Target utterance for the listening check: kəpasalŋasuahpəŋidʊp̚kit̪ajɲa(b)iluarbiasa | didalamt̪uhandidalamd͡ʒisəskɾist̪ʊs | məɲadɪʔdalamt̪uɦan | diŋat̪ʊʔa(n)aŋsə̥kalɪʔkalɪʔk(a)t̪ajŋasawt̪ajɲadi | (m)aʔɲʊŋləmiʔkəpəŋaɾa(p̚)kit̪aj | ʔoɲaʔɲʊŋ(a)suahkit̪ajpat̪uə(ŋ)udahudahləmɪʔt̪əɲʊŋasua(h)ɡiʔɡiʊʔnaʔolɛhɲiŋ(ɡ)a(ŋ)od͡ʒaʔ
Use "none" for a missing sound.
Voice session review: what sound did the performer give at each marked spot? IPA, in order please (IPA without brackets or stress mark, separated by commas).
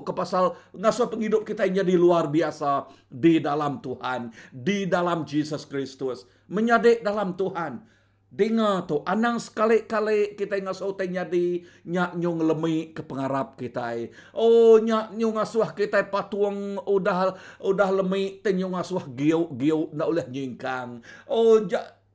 d, n, i, ɲ, p̚, a, ŋ, h, k, ŋ